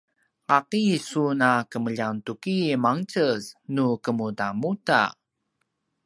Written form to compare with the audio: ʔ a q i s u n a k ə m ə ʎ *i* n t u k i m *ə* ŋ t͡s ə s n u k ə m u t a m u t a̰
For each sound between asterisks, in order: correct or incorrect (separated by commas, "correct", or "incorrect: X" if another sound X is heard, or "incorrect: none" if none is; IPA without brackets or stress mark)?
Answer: incorrect: a, incorrect: a